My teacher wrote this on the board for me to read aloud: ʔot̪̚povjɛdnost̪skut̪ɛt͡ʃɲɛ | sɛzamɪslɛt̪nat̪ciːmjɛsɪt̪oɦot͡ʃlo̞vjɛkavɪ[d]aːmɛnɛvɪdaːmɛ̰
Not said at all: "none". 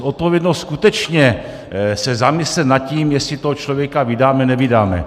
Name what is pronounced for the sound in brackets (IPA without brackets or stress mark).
d